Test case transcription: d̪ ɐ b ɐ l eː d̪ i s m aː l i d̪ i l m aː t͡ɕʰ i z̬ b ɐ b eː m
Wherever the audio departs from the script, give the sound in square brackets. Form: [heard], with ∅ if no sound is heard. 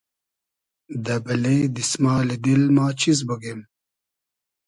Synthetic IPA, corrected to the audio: d̪ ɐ b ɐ l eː d̪ i s m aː l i d̪ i l m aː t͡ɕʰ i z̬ b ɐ [ɡ] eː m

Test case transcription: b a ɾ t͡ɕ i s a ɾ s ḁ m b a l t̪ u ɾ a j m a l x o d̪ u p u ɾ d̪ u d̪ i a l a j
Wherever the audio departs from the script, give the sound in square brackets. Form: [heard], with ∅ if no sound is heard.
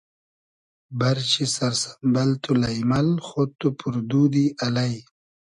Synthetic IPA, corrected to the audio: b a ɾ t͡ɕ i s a ɾ s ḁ m b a l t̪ u [l] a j m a l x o [t̪] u p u ɾ d̪ u d̪ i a l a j

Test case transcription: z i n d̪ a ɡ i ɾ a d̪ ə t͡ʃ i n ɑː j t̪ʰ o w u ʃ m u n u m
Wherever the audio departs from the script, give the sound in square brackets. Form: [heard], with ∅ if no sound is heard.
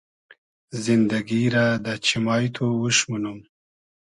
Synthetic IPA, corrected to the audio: z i n d̪ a ɡ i ɾ a d̪ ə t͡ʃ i [m] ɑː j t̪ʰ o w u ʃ m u n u m

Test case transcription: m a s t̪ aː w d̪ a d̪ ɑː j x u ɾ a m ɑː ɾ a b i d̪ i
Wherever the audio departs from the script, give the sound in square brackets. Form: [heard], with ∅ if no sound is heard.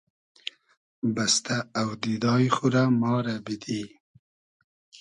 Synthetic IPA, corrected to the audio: [b] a s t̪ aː w d̪ [i] d̪ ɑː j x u ɾ a m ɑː ɾ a b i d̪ i

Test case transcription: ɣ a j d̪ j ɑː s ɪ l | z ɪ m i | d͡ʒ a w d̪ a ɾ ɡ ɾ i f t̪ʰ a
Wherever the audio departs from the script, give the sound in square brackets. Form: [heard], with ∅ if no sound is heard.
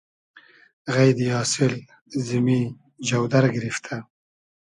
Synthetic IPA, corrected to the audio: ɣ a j d̪ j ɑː s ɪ l | z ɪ m i | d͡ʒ a w d̪ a ɾ ɡ ɾ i f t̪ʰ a

